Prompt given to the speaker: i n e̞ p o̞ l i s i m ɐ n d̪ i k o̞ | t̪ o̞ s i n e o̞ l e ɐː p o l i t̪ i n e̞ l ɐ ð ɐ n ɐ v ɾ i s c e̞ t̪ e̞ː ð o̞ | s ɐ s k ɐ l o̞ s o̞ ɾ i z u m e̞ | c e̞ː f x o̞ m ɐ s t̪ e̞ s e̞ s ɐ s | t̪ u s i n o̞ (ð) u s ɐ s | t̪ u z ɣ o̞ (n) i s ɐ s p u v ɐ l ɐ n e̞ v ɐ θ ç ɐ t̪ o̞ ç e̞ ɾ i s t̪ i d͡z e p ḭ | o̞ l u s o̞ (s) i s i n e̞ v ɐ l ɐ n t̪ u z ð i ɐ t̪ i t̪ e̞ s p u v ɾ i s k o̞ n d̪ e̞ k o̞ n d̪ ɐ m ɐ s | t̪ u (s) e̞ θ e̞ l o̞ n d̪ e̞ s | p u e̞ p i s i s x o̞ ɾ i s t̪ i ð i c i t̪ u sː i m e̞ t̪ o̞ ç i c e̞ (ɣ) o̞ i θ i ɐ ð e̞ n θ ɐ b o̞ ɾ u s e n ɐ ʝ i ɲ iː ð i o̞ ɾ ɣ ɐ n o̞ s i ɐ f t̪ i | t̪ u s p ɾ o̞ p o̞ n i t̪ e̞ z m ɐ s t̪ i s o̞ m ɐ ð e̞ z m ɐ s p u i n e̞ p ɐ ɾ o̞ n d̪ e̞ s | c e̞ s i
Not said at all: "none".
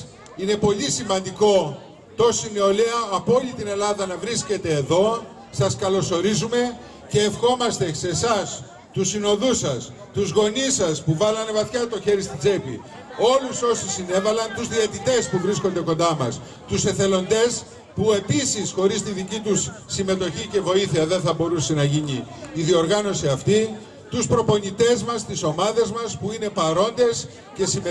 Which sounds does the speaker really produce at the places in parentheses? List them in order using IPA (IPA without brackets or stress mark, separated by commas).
ð, n, s, s, v